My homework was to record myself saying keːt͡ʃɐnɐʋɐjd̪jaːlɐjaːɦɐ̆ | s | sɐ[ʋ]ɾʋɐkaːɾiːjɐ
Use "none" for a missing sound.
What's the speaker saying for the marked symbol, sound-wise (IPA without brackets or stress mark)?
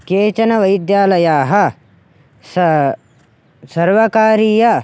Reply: none